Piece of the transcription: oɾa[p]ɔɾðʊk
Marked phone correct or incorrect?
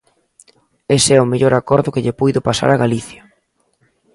incorrect